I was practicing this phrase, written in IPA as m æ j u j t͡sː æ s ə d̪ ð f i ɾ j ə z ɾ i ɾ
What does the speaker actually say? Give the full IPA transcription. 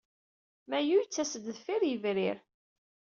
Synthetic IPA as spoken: m æ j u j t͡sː æ s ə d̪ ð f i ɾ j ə v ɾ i ɾ